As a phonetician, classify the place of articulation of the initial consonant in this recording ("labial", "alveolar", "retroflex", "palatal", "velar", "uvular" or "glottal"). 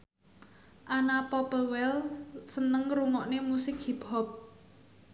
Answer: glottal